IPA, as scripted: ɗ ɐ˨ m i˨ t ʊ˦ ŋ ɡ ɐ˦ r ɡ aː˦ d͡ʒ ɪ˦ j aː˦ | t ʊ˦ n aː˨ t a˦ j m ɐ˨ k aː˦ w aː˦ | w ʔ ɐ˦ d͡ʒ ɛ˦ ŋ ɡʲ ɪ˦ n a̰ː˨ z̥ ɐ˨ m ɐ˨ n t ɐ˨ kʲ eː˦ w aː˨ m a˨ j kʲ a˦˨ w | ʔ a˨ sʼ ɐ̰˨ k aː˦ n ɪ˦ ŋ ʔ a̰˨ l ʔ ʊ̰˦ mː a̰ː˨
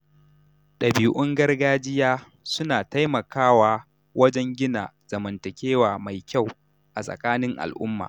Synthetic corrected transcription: ɗ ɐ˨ b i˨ ʔ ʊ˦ ŋ ɡ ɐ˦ r ɡ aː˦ d͡ʒ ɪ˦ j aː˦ | s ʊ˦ n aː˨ t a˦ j m ɐ˨ k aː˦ w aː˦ | w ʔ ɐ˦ d͡ʒ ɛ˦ ŋ ɡʲ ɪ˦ n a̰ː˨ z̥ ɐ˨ m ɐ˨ n t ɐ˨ kʲ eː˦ w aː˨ m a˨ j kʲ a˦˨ w | ʔ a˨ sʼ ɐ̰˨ k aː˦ n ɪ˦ ŋ ʔ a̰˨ l ʔ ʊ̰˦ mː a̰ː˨